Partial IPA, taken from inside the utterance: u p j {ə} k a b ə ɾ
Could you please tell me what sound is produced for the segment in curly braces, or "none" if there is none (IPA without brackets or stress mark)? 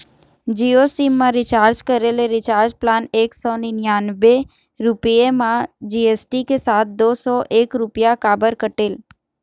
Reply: a